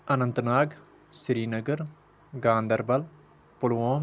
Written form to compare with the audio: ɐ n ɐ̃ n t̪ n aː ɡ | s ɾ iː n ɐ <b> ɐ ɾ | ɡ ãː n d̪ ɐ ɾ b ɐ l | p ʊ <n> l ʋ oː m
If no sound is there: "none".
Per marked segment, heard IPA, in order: ɡ, none

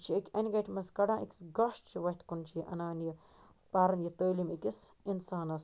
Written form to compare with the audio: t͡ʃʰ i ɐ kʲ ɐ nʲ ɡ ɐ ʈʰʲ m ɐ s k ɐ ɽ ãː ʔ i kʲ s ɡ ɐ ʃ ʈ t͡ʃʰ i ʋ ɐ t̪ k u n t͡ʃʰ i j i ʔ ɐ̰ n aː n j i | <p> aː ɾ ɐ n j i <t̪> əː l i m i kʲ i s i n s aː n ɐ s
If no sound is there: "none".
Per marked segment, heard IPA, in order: p, t̪

